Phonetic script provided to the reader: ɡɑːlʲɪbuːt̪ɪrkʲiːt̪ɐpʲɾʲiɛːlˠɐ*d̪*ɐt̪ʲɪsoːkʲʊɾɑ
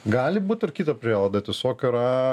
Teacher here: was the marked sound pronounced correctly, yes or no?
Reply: yes